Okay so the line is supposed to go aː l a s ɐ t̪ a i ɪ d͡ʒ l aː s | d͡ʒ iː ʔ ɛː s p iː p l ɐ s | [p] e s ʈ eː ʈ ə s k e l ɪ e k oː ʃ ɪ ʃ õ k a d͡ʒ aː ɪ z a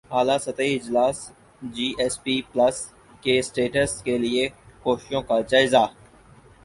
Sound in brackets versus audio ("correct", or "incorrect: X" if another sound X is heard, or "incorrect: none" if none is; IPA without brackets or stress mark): incorrect: k